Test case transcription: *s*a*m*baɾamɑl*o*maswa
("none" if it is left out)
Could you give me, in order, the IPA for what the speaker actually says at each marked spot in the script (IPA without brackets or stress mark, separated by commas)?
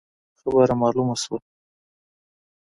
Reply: x, none, u